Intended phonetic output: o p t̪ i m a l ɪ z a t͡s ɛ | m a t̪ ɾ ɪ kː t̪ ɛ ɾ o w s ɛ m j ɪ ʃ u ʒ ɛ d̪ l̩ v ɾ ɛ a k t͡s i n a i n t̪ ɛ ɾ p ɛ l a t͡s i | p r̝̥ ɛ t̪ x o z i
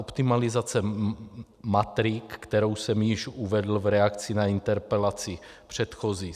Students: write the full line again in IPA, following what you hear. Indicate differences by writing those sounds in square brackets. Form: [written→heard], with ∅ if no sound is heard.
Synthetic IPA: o p t̪ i m a l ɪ z a t͡s ɛ | m a t̪ ɾ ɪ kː t̪ ɛ ɾ o w s ɛ m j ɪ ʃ u [ʒ→v] ɛ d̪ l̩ v ɾ ɛ a k t͡s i n a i n t̪ ɛ ɾ p ɛ l a t͡s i | p r̝̥ ɛ t̪ x o z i